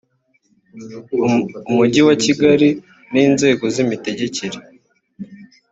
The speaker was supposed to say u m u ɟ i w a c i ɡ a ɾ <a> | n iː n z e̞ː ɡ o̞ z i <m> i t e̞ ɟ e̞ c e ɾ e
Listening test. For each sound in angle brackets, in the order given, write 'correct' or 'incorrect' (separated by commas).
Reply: incorrect, correct